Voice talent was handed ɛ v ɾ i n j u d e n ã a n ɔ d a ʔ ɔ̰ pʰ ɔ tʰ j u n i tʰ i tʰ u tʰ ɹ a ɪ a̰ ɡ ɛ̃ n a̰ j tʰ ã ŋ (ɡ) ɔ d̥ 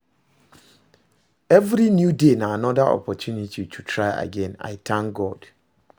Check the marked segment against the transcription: correct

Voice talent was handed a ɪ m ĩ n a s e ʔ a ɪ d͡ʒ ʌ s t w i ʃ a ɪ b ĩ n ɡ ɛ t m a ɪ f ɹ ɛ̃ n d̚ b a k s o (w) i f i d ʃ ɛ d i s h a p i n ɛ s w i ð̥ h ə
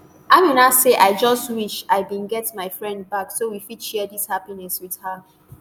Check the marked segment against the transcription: correct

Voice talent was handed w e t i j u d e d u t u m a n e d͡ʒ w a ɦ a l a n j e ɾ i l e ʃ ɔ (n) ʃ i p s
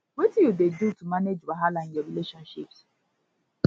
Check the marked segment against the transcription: correct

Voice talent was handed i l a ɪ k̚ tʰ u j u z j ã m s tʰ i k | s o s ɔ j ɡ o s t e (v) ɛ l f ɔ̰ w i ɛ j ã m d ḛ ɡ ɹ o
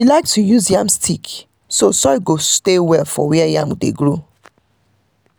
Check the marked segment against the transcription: incorrect: w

